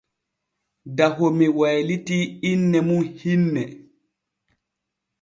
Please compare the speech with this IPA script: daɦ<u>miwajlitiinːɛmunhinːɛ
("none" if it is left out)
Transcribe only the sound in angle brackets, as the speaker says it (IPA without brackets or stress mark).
o